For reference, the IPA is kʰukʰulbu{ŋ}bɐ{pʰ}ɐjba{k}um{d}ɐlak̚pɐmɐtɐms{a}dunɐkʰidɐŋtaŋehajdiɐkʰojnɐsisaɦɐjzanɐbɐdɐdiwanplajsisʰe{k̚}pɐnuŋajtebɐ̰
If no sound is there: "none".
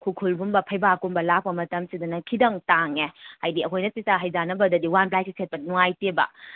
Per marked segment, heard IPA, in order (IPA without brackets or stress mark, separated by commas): m, pʰ, k, b, i, t̚